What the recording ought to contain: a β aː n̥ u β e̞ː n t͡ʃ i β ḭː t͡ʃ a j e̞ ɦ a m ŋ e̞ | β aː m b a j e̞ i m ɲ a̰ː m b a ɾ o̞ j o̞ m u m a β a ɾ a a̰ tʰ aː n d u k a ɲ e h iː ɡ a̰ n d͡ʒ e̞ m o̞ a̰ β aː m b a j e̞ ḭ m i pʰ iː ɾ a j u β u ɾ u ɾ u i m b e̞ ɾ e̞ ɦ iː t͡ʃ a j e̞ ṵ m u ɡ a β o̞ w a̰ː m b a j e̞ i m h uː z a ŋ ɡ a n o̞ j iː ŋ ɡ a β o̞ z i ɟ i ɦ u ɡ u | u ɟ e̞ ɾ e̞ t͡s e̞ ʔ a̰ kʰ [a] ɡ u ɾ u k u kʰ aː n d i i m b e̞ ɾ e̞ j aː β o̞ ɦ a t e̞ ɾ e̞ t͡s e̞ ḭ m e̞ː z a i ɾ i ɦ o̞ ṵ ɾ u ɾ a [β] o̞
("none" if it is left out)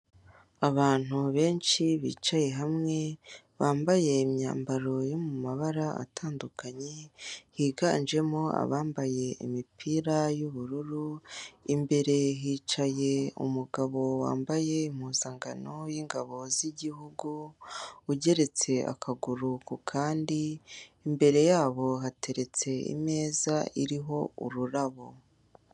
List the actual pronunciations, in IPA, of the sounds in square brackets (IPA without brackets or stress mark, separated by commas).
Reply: a, β